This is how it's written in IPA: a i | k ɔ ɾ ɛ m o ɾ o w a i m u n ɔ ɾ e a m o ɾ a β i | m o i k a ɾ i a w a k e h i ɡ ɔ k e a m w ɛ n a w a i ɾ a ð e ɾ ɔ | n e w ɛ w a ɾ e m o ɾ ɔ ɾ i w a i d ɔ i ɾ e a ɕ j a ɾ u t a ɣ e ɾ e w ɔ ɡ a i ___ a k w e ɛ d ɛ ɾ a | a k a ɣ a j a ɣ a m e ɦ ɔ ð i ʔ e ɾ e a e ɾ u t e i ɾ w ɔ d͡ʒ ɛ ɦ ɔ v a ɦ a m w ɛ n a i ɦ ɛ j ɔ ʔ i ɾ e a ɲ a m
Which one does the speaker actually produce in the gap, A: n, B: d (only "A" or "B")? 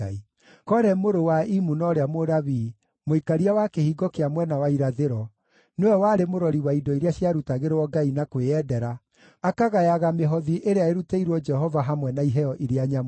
A